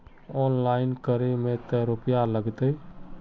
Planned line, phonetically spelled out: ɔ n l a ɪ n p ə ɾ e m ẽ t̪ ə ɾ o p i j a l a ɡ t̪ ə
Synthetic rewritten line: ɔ n l a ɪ n k ə ɾ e m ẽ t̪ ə ɾ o p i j a l ə ɡ t̪ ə

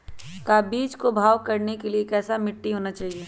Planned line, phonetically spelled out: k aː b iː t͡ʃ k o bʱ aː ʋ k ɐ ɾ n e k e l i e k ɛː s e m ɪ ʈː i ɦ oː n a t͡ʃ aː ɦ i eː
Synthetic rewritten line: k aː b iː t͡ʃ k o bʱ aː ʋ k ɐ ɾ n e k e l i e k ɛː s a m ɪ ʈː i ɦ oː n a t͡ʃ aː ɦ i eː

